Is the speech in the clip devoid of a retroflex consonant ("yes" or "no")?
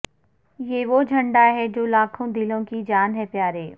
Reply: no